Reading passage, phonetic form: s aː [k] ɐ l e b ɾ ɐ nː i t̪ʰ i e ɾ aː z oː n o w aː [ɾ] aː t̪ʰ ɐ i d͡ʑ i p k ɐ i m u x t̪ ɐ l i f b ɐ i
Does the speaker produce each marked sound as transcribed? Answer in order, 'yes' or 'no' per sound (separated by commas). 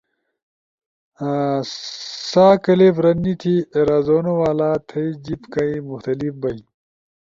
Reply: yes, no